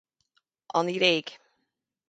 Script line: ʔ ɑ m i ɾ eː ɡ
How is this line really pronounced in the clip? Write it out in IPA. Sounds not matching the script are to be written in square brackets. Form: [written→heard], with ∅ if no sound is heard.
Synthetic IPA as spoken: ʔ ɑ [m→n] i ɾ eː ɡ